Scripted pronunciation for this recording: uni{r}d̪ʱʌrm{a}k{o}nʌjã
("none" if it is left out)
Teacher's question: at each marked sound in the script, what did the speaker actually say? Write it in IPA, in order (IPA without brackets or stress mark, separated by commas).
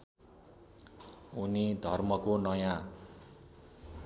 none, ʌ, o